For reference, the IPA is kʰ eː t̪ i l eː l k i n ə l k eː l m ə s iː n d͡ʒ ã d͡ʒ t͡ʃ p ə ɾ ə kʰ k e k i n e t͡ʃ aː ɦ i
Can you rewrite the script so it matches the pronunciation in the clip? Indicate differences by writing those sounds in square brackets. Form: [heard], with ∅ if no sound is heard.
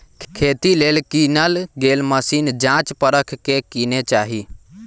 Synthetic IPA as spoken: kʰ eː t̪ i l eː l k i n ə l [ɡ] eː l m ə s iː n d͡ʒ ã [∅] t͡ʃ p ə ɾ ə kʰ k e k i n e t͡ʃ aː ɦ i